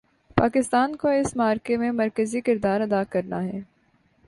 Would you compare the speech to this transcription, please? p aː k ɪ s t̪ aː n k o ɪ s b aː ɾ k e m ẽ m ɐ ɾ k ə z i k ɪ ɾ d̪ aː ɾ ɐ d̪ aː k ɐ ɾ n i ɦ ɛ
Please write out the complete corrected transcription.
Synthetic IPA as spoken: p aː k ɪ s t̪ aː n k o ɪ s m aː ɾ k e m ẽ m ɐ ɾ k ə z i k ɪ ɾ d̪ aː ɾ ɐ d̪ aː k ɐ ɾ n a ɦ ɛː